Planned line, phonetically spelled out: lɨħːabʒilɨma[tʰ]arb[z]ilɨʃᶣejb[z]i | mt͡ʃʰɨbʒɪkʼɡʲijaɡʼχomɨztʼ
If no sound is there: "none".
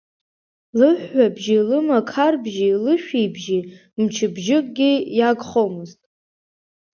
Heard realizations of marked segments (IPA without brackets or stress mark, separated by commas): kʰ, ʒ, ʒ